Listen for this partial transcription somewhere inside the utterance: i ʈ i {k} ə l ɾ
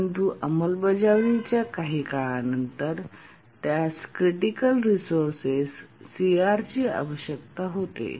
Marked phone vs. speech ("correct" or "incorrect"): correct